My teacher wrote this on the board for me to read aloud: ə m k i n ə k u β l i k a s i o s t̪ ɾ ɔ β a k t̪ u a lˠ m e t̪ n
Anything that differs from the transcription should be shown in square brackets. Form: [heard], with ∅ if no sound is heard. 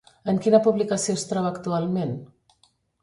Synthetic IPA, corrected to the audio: ə [ŋ] k i n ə [p] u β l i k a s i o s t̪ ɾ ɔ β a k t̪ u a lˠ m e [∅] n